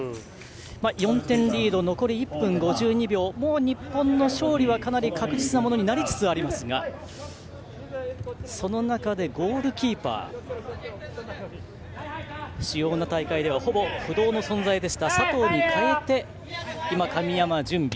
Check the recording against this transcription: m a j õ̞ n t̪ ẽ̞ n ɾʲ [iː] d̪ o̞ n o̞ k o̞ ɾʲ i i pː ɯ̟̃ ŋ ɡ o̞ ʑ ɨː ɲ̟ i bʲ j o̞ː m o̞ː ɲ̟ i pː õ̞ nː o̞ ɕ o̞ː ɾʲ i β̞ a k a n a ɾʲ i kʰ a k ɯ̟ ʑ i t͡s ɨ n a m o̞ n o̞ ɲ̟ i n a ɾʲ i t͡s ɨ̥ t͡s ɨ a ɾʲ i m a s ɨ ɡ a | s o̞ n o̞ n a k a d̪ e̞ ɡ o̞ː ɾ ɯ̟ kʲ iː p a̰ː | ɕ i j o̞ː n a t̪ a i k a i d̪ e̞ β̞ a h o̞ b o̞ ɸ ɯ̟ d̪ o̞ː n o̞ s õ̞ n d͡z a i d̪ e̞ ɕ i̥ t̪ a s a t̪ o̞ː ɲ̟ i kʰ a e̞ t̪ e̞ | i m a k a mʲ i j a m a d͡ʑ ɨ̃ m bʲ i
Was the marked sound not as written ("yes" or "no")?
no